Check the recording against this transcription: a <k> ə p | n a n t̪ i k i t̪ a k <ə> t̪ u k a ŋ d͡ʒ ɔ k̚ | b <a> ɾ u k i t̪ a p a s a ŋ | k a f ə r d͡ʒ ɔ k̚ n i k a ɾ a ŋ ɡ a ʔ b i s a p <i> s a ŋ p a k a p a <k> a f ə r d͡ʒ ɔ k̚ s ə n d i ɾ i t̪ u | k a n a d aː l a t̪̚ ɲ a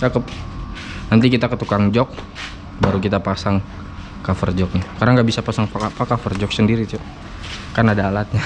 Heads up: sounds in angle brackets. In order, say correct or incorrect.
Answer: correct, correct, correct, incorrect: a, correct

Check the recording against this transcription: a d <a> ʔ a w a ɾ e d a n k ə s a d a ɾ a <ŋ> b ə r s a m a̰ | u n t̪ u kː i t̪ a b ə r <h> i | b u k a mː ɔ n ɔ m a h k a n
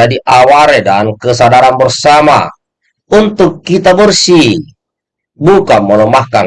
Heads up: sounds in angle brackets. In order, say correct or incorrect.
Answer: incorrect: i, incorrect: n, incorrect: s

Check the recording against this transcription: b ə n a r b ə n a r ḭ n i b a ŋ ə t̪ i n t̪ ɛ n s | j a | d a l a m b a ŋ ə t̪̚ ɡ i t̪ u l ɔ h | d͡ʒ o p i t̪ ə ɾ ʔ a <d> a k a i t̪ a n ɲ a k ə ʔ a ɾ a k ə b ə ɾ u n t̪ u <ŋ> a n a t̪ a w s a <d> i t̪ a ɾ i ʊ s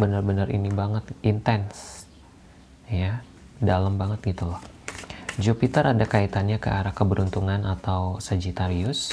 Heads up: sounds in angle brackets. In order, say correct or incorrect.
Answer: correct, correct, incorrect: d͡ʒ

